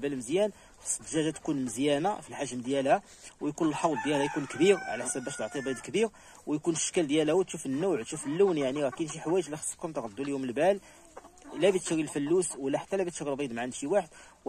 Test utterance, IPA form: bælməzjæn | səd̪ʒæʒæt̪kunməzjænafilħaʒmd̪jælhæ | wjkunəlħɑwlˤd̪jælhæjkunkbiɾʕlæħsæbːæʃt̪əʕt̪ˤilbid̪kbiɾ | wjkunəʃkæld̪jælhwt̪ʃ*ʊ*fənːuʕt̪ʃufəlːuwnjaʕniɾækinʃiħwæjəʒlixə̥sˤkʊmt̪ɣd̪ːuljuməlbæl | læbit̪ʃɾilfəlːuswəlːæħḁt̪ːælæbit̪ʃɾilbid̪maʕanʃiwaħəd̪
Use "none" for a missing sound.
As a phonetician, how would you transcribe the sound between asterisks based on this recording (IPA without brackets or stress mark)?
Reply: u